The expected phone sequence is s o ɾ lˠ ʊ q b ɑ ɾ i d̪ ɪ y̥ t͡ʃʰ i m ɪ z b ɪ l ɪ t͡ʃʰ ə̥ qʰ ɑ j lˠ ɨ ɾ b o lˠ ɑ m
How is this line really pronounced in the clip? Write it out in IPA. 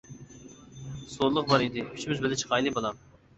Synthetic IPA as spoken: s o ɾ lˠ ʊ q b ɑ ɾ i d̪ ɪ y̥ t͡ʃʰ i m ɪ z b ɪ l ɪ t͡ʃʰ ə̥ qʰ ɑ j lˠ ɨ b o lˠ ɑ m